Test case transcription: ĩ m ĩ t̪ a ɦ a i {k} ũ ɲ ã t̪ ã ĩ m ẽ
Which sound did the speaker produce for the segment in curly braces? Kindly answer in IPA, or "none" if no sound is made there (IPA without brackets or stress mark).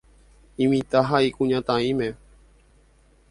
k